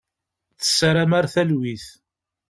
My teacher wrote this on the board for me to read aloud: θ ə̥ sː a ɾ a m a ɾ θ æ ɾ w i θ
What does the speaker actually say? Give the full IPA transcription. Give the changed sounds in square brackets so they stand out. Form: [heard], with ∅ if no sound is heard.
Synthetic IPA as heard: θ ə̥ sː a ɾ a m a ɾ θ æ [l] w i θ